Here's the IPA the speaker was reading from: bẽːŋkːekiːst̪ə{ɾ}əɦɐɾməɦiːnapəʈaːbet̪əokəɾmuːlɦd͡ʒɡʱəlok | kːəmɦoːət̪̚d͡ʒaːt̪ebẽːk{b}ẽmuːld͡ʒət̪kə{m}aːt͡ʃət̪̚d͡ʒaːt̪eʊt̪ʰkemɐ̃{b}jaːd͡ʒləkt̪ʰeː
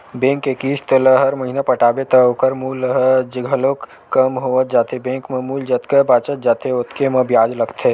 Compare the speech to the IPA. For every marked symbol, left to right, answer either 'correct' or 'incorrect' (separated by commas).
incorrect, incorrect, incorrect, correct